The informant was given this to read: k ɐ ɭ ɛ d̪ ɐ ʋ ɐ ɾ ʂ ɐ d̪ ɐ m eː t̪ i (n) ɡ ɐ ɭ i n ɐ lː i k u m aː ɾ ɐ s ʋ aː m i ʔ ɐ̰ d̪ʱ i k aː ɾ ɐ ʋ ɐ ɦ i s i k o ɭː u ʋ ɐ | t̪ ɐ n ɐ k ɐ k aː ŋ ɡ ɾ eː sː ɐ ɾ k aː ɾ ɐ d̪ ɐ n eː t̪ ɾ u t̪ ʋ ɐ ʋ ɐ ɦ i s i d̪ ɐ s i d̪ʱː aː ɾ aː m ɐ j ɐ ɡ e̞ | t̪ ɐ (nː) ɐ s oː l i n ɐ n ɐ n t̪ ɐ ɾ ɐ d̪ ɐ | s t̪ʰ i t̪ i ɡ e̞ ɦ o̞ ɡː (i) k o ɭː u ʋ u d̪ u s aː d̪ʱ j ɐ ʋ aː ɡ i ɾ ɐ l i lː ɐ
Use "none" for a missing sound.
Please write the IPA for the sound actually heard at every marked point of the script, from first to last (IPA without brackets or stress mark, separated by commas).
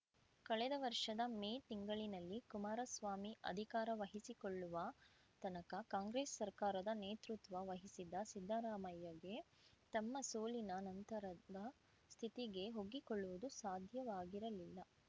ŋ, mː, i